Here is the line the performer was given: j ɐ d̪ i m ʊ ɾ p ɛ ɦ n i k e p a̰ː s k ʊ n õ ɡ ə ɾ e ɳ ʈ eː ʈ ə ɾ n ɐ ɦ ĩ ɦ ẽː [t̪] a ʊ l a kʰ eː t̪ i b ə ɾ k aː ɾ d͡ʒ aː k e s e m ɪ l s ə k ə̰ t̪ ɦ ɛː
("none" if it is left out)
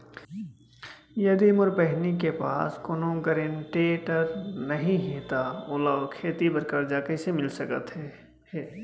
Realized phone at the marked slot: t̪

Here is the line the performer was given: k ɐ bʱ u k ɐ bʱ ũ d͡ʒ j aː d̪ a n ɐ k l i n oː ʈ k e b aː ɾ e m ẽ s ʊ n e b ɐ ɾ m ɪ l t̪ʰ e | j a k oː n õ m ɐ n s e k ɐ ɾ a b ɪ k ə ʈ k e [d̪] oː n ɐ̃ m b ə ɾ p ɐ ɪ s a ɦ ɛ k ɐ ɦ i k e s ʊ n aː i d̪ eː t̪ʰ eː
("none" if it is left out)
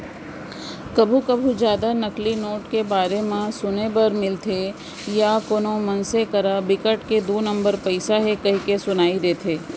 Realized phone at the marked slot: d̪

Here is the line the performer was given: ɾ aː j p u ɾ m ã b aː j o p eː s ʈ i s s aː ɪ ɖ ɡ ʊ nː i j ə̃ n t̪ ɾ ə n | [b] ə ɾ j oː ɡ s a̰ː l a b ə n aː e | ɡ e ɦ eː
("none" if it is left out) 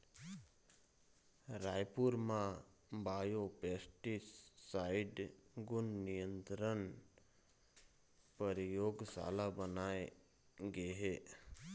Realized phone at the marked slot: p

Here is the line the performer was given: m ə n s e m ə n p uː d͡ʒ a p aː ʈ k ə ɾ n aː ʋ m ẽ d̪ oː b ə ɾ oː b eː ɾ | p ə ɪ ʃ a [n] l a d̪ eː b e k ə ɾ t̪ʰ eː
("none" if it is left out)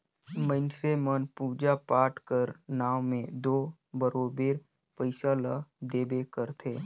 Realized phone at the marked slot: none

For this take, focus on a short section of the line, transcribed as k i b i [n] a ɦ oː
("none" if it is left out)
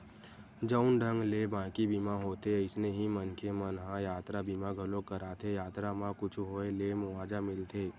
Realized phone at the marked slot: m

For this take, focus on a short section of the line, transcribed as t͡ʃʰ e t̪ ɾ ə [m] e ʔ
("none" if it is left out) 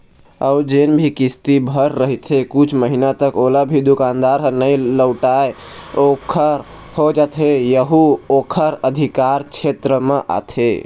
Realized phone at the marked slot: m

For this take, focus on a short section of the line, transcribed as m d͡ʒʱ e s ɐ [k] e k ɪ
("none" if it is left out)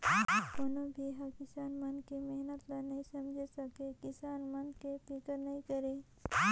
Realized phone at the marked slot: k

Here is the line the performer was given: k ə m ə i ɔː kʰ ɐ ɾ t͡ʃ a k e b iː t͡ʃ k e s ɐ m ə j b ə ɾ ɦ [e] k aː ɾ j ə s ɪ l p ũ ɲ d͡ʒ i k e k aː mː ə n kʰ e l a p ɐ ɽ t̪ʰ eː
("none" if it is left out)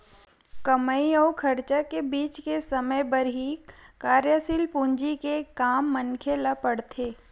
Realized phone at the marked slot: i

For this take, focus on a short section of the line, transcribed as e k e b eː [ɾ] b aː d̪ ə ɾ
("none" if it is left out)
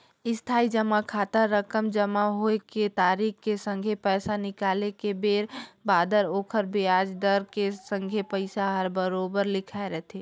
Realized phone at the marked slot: ɾ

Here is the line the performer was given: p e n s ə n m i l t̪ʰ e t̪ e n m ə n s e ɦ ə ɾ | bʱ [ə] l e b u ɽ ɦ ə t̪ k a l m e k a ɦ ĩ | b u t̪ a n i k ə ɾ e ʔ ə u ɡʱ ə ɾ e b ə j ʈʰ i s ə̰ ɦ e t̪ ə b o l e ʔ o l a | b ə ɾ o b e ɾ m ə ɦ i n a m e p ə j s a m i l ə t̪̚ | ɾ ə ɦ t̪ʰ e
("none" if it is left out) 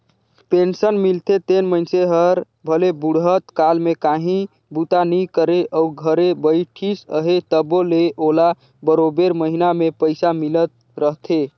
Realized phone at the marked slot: ə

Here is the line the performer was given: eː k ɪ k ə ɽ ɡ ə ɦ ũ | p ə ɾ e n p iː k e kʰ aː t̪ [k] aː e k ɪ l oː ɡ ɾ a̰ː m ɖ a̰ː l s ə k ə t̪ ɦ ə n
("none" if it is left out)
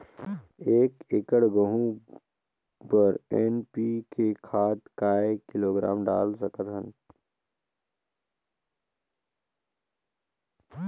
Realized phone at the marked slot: k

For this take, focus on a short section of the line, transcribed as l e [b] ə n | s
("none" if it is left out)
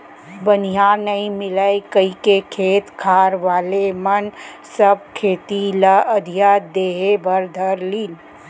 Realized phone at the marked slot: m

